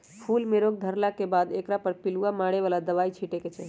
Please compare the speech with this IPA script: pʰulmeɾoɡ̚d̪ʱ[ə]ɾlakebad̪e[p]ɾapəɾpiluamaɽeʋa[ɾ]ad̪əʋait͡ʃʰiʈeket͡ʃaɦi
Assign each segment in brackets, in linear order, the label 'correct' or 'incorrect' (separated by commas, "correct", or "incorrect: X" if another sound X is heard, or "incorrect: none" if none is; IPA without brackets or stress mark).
correct, incorrect: k, incorrect: l